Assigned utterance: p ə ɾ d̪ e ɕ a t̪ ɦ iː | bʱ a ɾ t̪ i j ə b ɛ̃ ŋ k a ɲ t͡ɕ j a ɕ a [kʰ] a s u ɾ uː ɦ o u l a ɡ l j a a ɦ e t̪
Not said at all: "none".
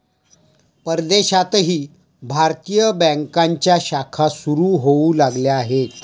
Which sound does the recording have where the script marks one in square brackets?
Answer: kʰ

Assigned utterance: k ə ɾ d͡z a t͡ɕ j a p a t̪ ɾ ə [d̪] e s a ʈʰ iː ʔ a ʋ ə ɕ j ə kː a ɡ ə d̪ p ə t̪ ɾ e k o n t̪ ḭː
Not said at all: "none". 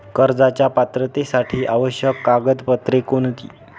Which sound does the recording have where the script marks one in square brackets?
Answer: t̪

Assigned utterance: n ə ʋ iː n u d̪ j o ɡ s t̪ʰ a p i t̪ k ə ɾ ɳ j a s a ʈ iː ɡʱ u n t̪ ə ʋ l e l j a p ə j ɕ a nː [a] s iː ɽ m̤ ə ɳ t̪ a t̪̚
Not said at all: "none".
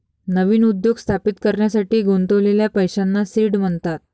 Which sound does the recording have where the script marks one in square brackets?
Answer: a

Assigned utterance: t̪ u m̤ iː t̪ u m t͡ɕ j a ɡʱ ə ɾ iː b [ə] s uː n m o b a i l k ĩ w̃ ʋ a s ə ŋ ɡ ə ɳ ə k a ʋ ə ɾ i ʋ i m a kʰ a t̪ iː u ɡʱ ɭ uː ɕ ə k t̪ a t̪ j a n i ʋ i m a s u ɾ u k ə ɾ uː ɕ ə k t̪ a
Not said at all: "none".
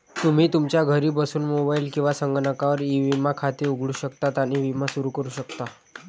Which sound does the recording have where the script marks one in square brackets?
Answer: ə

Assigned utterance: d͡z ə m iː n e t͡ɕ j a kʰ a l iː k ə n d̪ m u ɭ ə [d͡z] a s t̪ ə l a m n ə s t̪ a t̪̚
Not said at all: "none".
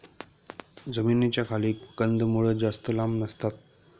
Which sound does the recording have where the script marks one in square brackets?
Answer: d͡z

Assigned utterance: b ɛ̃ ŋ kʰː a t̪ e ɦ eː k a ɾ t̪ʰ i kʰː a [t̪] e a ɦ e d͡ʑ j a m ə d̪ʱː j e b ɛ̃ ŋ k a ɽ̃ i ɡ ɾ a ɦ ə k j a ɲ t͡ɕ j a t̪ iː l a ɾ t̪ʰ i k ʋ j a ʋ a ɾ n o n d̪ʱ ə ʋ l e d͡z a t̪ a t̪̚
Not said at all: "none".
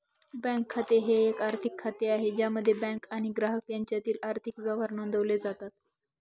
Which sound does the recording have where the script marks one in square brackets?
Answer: t̪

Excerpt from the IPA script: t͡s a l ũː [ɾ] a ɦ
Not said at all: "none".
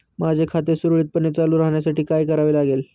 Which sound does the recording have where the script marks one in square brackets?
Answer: ɾ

